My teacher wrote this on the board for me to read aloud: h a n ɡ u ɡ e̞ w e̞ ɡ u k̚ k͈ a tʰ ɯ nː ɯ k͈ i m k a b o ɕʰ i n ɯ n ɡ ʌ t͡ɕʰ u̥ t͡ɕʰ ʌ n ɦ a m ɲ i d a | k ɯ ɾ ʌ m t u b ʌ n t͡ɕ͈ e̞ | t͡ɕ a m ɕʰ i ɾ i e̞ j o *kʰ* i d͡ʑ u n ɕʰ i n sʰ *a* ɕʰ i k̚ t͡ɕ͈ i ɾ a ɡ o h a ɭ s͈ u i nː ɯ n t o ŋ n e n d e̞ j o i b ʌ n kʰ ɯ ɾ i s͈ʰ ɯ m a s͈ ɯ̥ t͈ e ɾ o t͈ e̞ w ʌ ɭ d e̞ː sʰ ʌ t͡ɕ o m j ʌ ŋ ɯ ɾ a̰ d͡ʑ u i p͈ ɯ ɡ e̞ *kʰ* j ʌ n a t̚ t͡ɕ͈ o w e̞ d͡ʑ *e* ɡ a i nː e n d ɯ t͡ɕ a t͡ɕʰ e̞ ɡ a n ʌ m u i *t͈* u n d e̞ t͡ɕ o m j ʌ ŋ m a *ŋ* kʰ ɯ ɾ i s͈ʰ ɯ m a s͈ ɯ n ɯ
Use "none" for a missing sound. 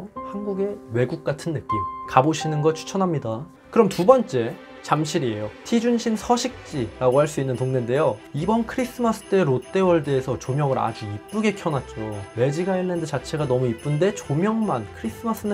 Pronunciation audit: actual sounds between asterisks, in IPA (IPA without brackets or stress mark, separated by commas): tʰ, ʌ, kʰ, i, p͈, n